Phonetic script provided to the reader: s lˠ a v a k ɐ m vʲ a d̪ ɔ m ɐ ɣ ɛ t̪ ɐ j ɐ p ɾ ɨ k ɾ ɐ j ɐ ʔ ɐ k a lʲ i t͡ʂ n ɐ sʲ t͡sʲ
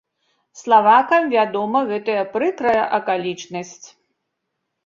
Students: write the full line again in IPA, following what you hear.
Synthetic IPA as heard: s lˠ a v a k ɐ m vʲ a d̪ ɔ m ɐ ɣ ɛ t̪ ɐ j ɐ p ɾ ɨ k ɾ ɐ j ɐ ʔ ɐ k a lʲ i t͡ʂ n ɐ sʲ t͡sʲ